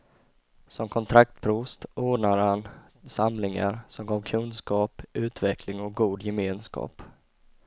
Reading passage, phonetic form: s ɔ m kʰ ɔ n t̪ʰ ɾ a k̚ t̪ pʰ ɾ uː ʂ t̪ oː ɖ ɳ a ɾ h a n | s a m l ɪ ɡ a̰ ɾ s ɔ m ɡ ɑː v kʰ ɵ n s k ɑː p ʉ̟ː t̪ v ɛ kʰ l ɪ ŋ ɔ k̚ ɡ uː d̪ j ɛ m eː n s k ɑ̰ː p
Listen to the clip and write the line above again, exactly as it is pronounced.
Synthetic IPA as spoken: s ɔ m kʰ ɔ n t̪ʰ ɾ a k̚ t̪ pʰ ɾ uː s t̪ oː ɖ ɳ a ɾ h a n | s a m l ɪ ŋ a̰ ɾ s ɔ m ɡ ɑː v kʰ ɵ n s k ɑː p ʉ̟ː t̪ v ɛ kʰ l ɪ ŋ ɔ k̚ ɡ uː d̪ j ɛ m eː n s k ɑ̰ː p